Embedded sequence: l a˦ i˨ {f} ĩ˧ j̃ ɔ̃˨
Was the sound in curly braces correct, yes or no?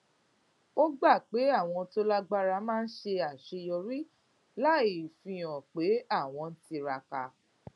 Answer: yes